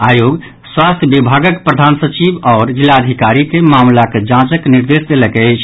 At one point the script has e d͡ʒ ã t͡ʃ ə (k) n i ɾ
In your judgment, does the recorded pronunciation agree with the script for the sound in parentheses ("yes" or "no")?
yes